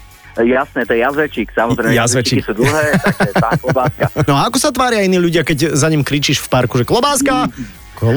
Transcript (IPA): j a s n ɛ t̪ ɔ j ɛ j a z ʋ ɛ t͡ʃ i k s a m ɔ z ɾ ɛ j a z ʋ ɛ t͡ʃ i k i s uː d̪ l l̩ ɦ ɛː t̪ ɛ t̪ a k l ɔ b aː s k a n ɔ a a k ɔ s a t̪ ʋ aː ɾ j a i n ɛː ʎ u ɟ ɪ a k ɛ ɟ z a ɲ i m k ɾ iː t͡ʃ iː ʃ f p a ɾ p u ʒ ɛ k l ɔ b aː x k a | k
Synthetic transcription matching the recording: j a s n ɛ t̪ ɔ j ɛ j a z ʋ ɛ t͡ʃ i k s a m ɔ z ɾ ɛ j a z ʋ ɛ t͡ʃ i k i s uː d̪ l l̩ ɦ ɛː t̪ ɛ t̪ a k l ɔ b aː s k a n ɔ a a k ɔ s a t̪ ʋ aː ɾ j a i n iː ʎ u ɟ ɪ a k ɛ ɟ z a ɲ i m k ɾ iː t͡ʃ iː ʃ f p a ɾ k u ʒ ɛ k l ɔ b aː s k a | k